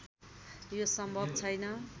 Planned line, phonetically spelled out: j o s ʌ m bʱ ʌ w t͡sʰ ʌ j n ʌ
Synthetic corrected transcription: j o s ʌ m bʱ ʌ b t͡sʰ ʌ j n ʌ